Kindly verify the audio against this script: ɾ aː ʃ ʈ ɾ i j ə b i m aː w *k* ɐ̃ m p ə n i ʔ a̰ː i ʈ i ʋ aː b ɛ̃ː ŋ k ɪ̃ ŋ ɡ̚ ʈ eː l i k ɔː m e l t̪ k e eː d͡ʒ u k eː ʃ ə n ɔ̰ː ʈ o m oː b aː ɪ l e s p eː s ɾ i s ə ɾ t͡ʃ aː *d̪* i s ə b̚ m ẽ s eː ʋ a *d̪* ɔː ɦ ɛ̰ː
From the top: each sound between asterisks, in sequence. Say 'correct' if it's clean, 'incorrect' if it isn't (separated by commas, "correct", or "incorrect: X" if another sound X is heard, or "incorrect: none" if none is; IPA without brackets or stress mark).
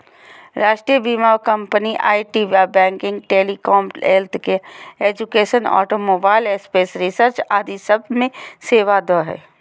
correct, correct, correct